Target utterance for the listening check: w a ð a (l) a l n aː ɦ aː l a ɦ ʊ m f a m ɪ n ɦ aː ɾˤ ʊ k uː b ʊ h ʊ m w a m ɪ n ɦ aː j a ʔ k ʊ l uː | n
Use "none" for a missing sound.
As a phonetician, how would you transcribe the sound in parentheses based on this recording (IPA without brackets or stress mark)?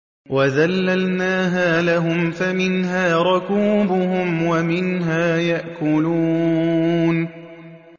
lː